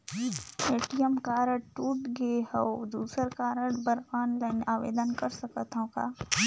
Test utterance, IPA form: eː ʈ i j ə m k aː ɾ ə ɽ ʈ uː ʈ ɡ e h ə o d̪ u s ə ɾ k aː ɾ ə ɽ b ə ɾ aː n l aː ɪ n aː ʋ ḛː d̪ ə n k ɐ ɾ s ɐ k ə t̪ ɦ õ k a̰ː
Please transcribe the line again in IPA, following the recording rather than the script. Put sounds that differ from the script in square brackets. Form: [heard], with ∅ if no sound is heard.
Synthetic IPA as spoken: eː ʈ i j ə m k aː ɾ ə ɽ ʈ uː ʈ ɡ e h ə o d̪ [uː] s ə ɾ k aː ɾ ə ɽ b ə ɾ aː n l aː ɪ n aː ʋ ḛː d̪ ə n k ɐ ɾ s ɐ k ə t̪ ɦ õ k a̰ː